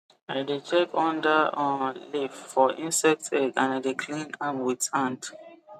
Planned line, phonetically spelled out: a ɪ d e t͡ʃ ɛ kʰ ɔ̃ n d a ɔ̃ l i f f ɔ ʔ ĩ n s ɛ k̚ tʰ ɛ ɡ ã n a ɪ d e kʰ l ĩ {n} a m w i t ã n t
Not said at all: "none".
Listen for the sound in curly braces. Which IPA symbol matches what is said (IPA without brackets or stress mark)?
n